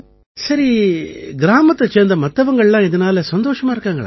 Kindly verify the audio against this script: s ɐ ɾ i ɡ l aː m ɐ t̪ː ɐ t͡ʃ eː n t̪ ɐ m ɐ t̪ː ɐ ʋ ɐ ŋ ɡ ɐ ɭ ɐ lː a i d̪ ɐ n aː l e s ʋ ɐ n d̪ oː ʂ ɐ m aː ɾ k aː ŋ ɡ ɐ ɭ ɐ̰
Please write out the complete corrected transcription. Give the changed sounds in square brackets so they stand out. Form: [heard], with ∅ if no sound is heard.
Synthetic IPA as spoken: s ɐ ɾ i ɡ [ɾ] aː m ɐ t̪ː ɐ t͡ʃ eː n [d̪] ɐ m ɐ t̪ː ɐ ʋ ɐ ŋ ɡ ɐ ɭ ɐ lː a i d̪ ɐ n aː l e s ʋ ɐ n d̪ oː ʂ ɐ m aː ɾ k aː ŋ ɡ ɐ ɭ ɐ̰